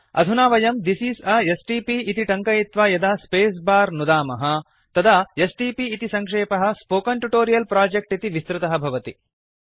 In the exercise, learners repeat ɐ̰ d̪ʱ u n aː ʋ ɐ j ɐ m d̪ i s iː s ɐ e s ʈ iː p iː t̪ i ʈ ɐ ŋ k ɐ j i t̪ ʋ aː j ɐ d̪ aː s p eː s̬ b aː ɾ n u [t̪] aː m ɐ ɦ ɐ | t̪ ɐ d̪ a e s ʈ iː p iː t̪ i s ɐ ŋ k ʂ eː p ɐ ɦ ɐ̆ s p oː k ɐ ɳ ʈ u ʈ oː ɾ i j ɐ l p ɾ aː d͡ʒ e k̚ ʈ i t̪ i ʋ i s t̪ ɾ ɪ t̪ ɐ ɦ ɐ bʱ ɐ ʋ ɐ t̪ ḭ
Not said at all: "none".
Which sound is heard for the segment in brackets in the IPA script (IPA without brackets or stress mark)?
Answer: d̪